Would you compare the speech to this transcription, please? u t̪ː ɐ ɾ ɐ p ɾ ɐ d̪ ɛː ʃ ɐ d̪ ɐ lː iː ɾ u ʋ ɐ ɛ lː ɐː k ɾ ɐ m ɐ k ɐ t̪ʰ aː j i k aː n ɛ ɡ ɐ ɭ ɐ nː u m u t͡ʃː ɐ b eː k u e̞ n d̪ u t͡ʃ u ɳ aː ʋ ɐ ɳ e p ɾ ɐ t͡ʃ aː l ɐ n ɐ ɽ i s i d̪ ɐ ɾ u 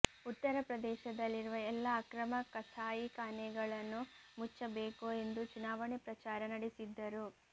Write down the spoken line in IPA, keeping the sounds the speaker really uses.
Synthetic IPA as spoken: u t̪ː ɐ ɾ ɐ p ɾ ɐ d̪ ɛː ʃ ɐ d̪ ɐ lː i ɾ u ʋ ɐ ɛ lː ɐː k ɾ ɐ m ɐ k ɐ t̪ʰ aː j i k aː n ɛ ɡ ɐ ɭ ɐ nː u m u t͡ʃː ɐ b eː k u e̞ n d̪ u t͡ʃ u n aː ʋ ɐ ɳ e p ɾ ɐ t͡ʃ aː ɾ ɐ n ɐ ɽ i s i d̪ː ɐ ɾ u